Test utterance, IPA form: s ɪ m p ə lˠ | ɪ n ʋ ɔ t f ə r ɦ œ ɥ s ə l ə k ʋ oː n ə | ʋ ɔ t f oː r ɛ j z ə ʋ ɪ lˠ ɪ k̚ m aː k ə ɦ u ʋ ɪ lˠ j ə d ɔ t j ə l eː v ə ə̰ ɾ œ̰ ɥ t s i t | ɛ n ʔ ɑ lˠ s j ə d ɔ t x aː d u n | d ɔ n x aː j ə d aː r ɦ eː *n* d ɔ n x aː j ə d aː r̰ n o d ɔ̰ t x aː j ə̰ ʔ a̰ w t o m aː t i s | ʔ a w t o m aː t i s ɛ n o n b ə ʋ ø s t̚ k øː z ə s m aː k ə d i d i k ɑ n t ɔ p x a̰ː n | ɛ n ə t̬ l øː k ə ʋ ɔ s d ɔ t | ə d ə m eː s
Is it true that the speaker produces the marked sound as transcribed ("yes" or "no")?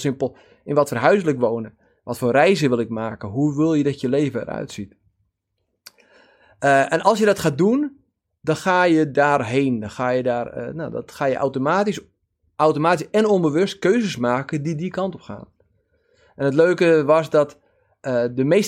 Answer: yes